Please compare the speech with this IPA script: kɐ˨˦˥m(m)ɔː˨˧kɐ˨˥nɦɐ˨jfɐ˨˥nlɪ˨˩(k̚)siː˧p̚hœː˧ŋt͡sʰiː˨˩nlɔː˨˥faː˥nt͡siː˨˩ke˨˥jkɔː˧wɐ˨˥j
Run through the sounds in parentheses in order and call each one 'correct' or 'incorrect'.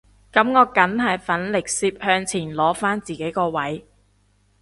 incorrect, correct

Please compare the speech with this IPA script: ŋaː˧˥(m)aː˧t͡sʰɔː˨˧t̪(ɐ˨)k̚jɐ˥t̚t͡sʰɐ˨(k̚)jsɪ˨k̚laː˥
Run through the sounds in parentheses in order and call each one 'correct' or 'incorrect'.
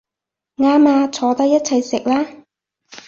correct, incorrect, incorrect

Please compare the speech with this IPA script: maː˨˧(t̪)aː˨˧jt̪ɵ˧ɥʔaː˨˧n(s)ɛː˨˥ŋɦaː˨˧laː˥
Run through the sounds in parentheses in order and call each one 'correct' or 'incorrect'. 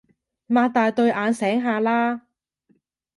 correct, correct

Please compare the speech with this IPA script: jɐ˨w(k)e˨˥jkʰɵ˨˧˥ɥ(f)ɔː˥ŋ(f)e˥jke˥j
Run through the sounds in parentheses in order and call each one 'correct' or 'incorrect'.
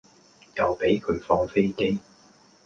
incorrect, correct, correct

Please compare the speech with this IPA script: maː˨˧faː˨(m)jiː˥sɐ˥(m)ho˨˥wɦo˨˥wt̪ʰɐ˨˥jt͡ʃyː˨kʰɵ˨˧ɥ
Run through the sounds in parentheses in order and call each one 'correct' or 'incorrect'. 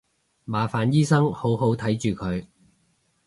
incorrect, incorrect

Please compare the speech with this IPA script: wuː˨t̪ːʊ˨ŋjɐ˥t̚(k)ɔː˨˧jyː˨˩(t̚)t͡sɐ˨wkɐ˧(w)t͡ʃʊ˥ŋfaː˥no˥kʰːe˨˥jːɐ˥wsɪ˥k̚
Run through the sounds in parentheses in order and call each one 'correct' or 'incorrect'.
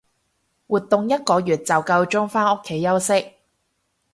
correct, correct, correct

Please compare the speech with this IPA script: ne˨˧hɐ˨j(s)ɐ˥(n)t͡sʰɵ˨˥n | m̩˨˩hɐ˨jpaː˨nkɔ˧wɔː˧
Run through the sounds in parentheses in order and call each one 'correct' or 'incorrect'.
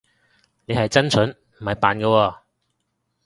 incorrect, correct

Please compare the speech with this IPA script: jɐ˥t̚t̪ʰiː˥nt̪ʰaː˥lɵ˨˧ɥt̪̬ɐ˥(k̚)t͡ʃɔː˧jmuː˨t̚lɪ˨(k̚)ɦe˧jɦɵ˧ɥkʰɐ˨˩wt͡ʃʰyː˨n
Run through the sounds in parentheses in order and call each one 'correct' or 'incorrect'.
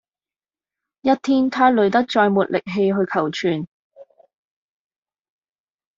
correct, correct

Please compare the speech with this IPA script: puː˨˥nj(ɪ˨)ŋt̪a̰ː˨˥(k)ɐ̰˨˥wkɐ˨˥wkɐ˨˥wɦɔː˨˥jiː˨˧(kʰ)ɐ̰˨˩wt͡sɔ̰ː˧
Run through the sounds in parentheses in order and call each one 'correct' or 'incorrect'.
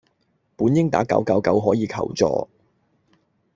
incorrect, correct, correct

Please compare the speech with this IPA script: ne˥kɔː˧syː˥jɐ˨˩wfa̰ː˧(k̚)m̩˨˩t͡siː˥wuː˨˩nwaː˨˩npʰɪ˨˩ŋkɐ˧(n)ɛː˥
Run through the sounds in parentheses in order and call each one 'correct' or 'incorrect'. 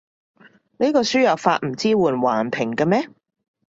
incorrect, incorrect

